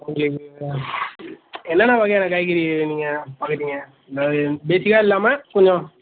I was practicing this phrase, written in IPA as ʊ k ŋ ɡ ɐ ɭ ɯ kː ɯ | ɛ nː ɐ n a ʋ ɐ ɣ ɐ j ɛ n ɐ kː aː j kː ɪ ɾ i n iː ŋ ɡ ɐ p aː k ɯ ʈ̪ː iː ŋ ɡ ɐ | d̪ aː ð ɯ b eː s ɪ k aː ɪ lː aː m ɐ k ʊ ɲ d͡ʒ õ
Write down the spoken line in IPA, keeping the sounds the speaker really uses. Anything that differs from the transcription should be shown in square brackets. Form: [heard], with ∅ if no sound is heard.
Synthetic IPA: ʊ [∅] ŋ ɡ ɐ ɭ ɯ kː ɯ | ɛ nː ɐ n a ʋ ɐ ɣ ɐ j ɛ n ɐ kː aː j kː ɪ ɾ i n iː ŋ ɡ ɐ p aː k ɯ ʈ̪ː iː ŋ ɡ ɐ | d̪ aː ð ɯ b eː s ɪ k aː ɪ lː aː m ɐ k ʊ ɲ d͡ʒ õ